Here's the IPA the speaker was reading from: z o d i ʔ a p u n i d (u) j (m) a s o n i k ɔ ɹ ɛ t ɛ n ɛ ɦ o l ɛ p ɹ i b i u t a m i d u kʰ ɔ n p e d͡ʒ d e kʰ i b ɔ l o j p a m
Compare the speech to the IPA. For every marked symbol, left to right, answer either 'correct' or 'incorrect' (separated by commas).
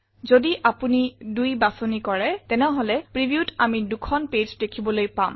correct, incorrect